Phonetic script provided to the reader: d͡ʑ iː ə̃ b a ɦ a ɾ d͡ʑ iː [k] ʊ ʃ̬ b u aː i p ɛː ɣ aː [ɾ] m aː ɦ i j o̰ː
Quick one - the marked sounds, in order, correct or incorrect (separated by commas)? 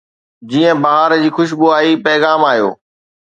incorrect, incorrect